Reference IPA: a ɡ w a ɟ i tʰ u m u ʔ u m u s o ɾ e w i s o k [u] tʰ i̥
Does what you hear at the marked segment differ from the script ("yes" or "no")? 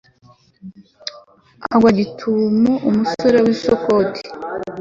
yes